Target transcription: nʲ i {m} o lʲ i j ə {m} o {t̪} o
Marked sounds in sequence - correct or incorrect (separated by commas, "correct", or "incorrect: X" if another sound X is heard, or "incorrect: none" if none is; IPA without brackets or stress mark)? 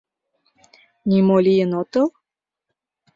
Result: correct, incorrect: n, correct